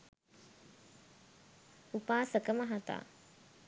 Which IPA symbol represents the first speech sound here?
u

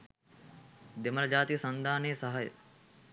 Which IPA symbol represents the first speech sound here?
d̪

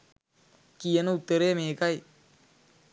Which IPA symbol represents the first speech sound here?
k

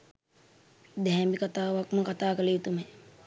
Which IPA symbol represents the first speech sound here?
d̪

